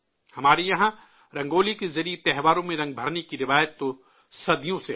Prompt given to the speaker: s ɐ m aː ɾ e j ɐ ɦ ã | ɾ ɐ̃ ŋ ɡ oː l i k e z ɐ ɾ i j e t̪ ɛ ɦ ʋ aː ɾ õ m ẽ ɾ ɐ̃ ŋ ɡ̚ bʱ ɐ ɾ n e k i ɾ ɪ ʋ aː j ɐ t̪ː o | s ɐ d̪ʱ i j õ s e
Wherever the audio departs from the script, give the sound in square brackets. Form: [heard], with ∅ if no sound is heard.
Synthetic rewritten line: [h] ɐ m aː ɾ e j ɐ ɦ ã | ɾ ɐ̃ ŋ ɡ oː l i k e z ɐ ɾ i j e t̪ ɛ ɦ ʋ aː ɾ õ m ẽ ɾ ɐ̃ ŋ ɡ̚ bʱ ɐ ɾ n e k i ɾ ɪ ʋ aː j [ə] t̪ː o | s ɐ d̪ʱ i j õ s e